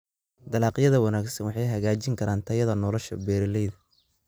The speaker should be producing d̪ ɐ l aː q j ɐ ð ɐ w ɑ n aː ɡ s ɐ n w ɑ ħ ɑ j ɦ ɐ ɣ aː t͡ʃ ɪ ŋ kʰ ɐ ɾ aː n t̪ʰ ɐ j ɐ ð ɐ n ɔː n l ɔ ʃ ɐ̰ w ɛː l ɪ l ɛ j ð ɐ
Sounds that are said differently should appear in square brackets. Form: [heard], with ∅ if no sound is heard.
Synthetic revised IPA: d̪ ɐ l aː q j ɐ ð ɐ w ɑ n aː ɡ s ɐ n w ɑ ħ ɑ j ɦ ɐ ɣ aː t͡ʃ ɪ ŋ kʰ ɐ ɾ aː n t̪ʰ ɐ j ɐ ð ɐ n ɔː [∅] l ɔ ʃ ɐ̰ [b] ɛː [ɾ] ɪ l ɛ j ð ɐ